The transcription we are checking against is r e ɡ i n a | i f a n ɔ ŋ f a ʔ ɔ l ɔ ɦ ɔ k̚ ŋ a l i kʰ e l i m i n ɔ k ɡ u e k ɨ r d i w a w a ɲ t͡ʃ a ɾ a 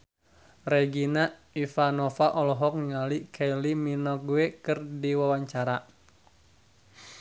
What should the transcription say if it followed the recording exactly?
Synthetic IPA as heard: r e ɡ i n a | i f a n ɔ f a ʔ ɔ l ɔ ɦ ɔ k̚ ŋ a l i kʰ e l i m i n ɔ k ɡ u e k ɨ r d i w a w a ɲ t͡ʃ a ɾ a